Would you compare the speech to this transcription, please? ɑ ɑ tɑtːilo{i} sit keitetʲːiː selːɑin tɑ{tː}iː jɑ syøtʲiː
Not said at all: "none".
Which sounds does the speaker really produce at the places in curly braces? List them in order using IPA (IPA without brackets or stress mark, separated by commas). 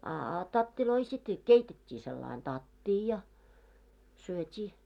i, tː